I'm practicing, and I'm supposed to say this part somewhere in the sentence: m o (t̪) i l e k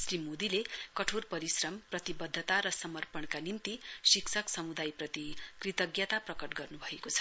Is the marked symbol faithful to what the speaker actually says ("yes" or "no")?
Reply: no